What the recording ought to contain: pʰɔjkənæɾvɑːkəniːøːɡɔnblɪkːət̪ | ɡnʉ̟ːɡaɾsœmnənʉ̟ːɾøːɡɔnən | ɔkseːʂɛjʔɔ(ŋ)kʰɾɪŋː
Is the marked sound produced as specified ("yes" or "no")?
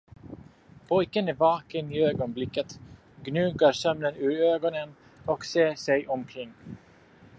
no